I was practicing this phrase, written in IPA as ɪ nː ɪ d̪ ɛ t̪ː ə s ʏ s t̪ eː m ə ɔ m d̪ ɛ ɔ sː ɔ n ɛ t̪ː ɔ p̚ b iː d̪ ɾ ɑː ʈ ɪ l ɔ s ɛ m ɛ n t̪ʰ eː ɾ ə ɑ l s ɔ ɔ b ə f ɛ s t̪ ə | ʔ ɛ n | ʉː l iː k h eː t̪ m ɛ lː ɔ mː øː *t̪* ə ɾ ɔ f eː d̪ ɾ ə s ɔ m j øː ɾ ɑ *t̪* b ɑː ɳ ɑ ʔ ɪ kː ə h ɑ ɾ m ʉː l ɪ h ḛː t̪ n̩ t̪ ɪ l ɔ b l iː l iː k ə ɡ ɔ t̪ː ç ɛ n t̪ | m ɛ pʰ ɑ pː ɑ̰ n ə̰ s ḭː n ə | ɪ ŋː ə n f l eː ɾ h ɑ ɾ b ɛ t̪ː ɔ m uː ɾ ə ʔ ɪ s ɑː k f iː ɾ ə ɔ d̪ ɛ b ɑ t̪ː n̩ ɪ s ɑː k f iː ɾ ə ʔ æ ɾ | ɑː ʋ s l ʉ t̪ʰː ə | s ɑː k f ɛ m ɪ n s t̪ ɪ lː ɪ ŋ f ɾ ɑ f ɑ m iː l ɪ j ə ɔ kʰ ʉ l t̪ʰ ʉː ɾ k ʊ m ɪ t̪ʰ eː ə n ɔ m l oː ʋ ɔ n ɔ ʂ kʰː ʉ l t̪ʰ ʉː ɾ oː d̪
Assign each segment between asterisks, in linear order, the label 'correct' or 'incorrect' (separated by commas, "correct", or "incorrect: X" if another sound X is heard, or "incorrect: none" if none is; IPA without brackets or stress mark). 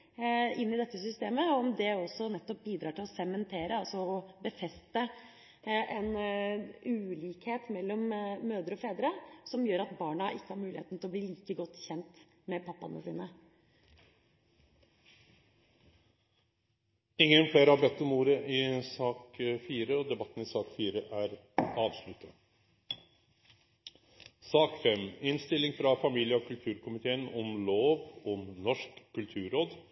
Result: incorrect: d̪, correct